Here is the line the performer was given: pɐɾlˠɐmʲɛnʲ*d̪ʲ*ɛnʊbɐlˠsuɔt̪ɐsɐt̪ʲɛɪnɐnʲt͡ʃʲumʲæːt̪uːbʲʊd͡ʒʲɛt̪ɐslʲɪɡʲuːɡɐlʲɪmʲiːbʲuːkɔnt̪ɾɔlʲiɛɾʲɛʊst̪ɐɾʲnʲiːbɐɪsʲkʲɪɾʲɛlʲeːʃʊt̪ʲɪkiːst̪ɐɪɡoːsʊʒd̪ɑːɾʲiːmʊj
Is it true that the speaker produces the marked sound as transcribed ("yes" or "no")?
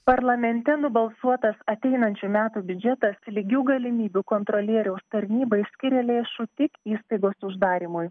no